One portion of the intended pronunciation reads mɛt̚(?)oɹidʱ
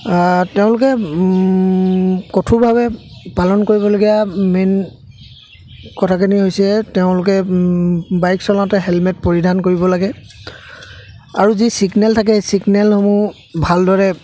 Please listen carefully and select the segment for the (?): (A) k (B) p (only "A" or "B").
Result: B